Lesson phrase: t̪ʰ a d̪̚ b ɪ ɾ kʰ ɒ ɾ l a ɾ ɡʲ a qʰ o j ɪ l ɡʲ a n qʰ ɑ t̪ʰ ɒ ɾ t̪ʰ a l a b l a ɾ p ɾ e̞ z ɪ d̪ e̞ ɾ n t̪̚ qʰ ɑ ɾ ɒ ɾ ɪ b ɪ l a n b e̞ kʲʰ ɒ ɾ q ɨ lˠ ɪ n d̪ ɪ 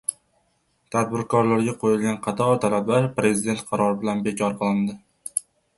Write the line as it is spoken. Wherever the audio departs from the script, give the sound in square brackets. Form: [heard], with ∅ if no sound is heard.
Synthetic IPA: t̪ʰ a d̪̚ b ɪ ɾ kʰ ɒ ɾ l a ɾ ɡʲ a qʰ o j ɪ l ɡʲ a n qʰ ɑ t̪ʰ ɒ ɾ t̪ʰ a l a b l a ɾ p ɾ e̞ z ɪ d̪ e̞ [∅] n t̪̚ qʰ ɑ ɾ ɒ ɾ ɪ b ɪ l a n b e̞ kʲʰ ɒ ɾ q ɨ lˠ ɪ n d̪ ɪ